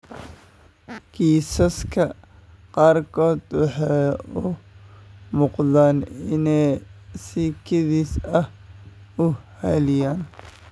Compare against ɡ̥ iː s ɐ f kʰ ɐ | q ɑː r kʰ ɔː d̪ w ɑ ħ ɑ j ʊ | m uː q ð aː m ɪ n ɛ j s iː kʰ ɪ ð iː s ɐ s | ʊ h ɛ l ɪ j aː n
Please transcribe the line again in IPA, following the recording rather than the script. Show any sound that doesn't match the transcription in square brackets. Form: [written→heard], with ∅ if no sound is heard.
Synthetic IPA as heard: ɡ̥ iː s ɐ [f→s] kʰ ɐ | q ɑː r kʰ ɔː d̪ w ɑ ħ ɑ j ʊ | m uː q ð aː [m→n] ɪ n ɛ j s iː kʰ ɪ ð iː s ɐ [s→h] | ʊ h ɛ l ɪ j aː n